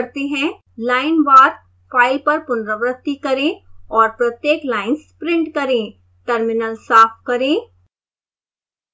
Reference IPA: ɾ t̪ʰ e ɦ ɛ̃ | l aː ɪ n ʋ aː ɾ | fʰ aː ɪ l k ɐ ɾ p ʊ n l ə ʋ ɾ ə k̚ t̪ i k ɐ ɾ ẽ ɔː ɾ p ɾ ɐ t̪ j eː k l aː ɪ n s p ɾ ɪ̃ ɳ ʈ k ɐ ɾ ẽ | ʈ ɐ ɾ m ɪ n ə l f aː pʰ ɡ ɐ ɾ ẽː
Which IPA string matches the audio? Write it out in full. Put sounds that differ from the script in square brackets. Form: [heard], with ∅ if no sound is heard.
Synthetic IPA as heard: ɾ [t̪] e ɦ ɛ̃ | l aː ɪ n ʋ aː ɾ | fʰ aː ɪ l [p] ɐ ɾ p ʊ n [ɾ] ə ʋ ɾ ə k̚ t̪ i k ɐ ɾ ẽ ɔː ɾ p ɾ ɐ t̪ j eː k l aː ɪ n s p ɾ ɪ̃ ɳ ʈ k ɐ ɾ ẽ | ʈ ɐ ɾ m ɪ n ə l [s] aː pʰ [k] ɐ ɾ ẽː

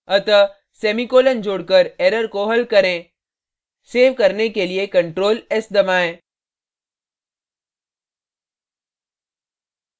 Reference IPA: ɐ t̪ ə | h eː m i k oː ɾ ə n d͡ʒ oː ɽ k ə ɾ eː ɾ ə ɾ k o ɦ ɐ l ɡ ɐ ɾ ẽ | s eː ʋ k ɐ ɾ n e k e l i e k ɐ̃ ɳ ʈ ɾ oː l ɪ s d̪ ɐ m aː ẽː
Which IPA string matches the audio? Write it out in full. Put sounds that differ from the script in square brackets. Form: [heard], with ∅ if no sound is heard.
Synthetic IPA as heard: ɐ t̪ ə | [s] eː m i k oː [l] ə n d͡ʒ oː ɽ k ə ɾ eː ɾ ə ɾ k o ɦ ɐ l [k] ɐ ɾ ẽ | s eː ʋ k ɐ ɾ n e k e l i e k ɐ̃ ɳ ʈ ɾ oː l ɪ s d̪ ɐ m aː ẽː

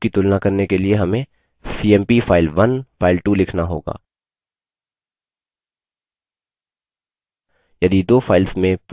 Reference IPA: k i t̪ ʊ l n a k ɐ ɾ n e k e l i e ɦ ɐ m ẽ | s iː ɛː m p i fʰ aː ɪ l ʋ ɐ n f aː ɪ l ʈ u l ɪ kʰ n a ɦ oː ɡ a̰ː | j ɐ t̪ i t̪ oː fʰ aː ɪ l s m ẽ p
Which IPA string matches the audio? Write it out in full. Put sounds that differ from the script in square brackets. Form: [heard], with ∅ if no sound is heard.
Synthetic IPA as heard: k i t̪ ʊ l n a k ɐ ɾ n e k e l i e ɦ ɐ m ẽ | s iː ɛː m p i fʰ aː ɪ l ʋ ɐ n f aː ɪ l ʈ u l ɪ kʰ n a ɦ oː ɡ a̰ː | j ɐ [d̪] i [d̪] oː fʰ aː ɪ l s m ẽ p

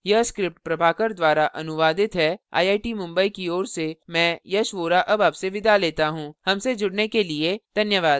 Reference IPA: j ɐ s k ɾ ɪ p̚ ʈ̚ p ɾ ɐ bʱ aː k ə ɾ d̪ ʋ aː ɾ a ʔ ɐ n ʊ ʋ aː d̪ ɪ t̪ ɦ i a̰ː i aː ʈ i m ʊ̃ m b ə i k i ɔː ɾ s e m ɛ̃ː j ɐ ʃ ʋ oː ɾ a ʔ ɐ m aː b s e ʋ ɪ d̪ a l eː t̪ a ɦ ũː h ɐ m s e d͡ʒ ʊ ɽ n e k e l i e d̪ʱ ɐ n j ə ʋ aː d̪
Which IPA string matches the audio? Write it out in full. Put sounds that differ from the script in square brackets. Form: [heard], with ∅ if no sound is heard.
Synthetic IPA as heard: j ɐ s k ɾ ɪ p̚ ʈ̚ p ɾ ɐ bʱ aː k ə ɾ d̪ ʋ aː ɾ a ʔ ɐ n ʊ ʋ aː d̪ ɪ t̪ ɦ [ɛ] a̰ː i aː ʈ i m ʊ̃ m b ə i k i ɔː ɾ s e m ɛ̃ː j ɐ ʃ ʋ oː ɾ a ʔ ɐ [b] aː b s e ʋ ɪ d̪ a l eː t̪ a ɦ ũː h ɐ m s e d͡ʒ ʊ ɽ n e k e l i e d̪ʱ ɐ n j ə ʋ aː d̪

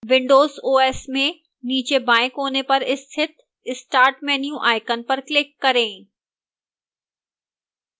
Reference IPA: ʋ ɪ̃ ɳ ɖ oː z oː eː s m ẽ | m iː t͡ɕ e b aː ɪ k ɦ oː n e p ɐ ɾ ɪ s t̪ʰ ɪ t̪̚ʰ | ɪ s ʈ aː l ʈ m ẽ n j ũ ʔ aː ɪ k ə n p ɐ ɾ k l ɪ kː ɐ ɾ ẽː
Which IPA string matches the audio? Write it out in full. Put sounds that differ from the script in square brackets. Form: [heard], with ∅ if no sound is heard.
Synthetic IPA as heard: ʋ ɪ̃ ɳ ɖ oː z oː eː s m ẽ | [n] iː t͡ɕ e b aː ɪ k ɦ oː n e p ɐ ɾ ɪ s t̪ʰ ɪ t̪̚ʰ | ɪ s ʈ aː [ɾ] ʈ m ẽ n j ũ ʔ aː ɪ k ə n p ɐ ɾ k l ɪ kː ɐ ɾ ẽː

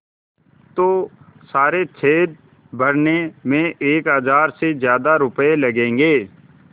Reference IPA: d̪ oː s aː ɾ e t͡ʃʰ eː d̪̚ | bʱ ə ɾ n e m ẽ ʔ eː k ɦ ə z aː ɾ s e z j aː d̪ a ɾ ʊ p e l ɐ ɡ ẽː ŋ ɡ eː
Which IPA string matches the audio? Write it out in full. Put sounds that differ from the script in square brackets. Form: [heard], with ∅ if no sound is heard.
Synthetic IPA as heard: [t̪] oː s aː ɾ e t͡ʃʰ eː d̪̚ | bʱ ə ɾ n e m ẽ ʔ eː k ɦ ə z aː ɾ s e z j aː d̪ a ɾ ʊ p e l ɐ ɡ ẽː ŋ ɡ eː

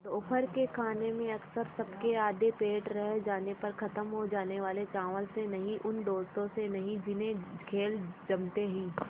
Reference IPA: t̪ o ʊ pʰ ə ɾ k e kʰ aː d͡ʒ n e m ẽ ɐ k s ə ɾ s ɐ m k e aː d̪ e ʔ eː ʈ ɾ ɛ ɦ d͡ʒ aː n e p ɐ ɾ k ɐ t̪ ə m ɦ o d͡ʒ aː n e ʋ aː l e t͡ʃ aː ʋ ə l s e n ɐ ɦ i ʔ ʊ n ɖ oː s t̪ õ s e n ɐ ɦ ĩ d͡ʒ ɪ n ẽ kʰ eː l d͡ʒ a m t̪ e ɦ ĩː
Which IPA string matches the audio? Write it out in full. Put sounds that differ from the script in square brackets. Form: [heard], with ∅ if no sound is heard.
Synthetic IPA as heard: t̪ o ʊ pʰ ə ɾ k e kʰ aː [∅] n e m ẽ ɐ k s ə ɾ s ɐ [b] k e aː d̪ e [p] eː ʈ ɾ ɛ ɦ d͡ʒ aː n e p ɐ ɾ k ɐ t̪ ə m ɦ o d͡ʒ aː n e ʋ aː l e t͡ʃ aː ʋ ə l s e n ɐ ɦ [ĩ] ʔ ʊ n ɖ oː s t̪ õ s e n ɐ ɦ ĩ d͡ʒ ɪ n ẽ kʰ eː l d͡ʒ [ɐ] m t̪ e ɦ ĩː

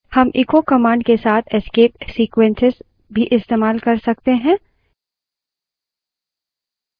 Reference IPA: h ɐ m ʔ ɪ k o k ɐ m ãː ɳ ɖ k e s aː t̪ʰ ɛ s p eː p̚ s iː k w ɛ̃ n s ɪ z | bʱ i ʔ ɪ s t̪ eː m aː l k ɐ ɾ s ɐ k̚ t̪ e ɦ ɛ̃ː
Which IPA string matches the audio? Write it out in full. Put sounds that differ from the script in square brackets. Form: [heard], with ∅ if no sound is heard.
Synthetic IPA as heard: h ɐ m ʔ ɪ k o k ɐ m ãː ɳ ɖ k e s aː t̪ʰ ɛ s [k] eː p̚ s iː k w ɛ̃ n s ɪ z | bʱ i ʔ ɪ s t̪ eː m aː l k ɐ ɾ s ɐ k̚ t̪ e ɦ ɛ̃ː

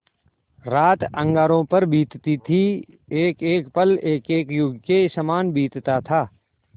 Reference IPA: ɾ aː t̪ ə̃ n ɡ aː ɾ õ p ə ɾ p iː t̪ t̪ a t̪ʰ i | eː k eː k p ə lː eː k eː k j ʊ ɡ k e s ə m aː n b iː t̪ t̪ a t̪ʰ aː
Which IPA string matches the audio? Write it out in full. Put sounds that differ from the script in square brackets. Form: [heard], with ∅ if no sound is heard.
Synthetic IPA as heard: ɾ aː t̪ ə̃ [ŋ] ɡ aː ɾ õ p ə ɾ [b] iː t̪ t̪ [i] t̪ʰ i | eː k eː k p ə [l] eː k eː k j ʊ ɡ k e s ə m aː n b iː t̪ t̪ a t̪ʰ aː

